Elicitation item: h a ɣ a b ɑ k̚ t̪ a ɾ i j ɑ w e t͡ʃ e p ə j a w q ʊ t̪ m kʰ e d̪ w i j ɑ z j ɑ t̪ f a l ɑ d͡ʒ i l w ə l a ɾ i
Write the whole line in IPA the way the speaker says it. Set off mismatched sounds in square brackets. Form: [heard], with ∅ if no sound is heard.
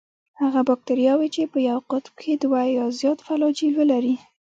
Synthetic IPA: h a ɣ a b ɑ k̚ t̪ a ɾ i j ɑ w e t͡ʃ e p ə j a w q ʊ t̪ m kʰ e d̪ w [a] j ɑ z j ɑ t̪ f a l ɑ d͡ʒ i l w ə l a ɾ i